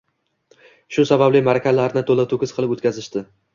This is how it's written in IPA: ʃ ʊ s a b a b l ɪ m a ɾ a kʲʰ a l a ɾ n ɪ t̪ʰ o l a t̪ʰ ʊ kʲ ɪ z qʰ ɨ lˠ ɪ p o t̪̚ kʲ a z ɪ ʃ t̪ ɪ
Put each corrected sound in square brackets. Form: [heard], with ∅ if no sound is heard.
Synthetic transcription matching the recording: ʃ ʊ s a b a b l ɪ m a ɾ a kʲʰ a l a ɾ n ɪ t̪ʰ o l a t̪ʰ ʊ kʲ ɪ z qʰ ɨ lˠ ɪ p o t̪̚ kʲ a z ɪ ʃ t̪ ɪ

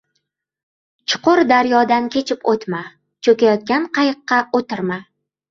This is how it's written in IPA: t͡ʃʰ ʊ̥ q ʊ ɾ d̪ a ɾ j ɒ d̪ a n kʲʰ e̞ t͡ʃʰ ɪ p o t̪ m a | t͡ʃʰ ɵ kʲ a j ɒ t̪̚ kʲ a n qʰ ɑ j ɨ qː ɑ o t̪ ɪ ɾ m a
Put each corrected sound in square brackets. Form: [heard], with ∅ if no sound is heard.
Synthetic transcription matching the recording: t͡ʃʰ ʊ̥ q ʊ ɾ d̪ a ɾ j ɒ d̪ a n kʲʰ e̞ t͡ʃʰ ɪ p o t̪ m a | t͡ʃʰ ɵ kʲ a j ɒ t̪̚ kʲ a n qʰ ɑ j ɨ qː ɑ o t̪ ɪ ɾ m a

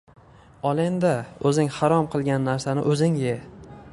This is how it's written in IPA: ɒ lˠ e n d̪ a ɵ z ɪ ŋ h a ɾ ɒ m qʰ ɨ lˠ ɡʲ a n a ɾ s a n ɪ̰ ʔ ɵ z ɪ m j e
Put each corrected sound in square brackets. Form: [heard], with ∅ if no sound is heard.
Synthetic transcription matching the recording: ɒ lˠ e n d̪ a ɵ z ɪ ŋ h a ɾ ɒ m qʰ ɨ lˠ ɡʲ a [nː] a ɾ s a n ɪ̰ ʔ ɵ z ɪ [ŋ] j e

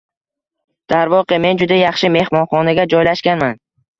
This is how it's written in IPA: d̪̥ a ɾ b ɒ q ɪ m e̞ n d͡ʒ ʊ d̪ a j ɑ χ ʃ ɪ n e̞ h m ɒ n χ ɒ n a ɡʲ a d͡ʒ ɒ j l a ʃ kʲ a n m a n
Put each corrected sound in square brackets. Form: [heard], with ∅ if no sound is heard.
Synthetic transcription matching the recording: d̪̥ a ɾ [v] ɒ q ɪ m e̞ n d͡ʒ ʊ d̪ a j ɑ χ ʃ ɪ [m] e̞ h m ɒ n χ ɒ n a ɡʲ a d͡ʒ ɒ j l a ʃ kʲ a n m a n

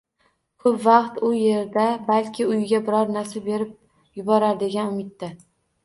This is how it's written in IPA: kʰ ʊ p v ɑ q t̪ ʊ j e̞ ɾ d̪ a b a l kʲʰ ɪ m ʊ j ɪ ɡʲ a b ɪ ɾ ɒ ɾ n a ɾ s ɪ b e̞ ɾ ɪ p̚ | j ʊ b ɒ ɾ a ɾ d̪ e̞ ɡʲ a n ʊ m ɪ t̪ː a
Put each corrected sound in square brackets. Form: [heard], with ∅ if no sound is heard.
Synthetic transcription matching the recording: kʰ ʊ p v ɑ q t̪ ʊ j e̞ ɾ d̪ a b a l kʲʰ ɪ [∅] ʊ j ɪ ɡʲ a b ɪ ɾ ɒ ɾ n a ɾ s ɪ b e̞ ɾ ɪ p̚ | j ʊ b ɒ ɾ a ɾ d̪ e̞ ɡʲ a n ʊ m ɪ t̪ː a

